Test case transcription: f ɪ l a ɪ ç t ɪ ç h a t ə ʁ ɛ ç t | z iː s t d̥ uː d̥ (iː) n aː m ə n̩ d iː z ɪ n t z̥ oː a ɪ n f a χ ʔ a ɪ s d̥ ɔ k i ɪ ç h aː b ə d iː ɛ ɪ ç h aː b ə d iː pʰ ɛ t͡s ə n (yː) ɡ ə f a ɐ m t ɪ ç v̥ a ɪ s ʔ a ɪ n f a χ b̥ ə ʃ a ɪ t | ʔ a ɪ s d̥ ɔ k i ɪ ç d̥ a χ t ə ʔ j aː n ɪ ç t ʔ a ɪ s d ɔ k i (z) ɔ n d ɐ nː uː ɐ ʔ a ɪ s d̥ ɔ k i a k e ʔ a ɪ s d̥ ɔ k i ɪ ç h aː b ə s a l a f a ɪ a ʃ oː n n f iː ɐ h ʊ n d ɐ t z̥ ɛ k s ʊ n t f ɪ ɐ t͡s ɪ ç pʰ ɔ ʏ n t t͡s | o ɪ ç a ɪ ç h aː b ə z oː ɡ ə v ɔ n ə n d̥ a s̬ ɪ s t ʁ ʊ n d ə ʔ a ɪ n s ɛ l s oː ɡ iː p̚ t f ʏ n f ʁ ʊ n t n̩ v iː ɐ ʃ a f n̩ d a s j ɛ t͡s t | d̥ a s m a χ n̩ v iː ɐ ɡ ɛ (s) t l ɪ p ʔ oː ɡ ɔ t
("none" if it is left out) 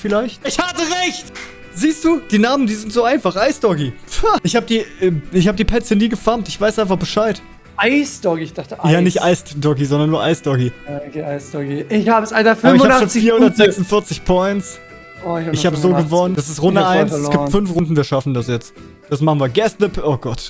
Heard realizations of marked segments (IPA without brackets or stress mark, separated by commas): iː, iː, z, s